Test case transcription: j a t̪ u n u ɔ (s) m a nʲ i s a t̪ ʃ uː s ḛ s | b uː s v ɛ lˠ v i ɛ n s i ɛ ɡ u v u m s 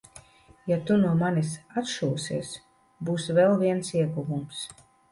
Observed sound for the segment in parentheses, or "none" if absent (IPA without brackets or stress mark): none